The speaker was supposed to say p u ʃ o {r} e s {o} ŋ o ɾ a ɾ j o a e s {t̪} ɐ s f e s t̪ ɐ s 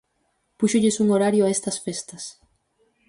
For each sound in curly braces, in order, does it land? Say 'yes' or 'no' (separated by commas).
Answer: no, no, yes